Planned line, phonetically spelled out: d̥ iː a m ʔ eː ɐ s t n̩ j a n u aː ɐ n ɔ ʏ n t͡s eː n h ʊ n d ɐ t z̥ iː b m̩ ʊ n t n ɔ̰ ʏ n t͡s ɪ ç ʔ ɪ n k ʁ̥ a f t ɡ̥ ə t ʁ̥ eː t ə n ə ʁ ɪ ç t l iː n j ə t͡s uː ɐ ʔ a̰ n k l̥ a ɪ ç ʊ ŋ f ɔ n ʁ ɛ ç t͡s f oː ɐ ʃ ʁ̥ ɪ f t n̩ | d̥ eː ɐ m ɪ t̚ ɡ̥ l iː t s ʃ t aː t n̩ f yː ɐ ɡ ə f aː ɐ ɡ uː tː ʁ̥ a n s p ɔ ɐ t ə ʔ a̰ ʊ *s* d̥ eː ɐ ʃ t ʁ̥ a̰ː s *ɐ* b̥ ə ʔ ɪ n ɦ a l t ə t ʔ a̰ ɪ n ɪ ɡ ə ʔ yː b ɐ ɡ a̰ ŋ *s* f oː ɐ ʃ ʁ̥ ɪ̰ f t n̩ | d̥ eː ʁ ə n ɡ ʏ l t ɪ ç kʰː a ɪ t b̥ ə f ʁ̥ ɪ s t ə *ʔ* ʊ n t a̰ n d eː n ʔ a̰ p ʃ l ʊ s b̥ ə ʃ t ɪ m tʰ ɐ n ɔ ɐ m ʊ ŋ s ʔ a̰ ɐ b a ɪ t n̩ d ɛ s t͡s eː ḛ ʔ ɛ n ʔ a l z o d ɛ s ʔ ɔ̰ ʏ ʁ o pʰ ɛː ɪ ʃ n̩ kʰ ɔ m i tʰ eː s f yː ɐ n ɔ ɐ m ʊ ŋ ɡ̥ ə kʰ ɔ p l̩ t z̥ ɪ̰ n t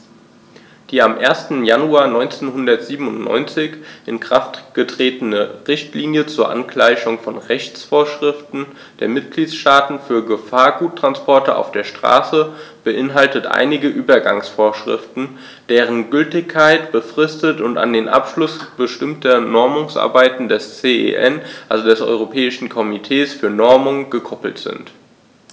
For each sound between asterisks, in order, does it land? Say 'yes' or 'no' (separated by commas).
no, no, yes, no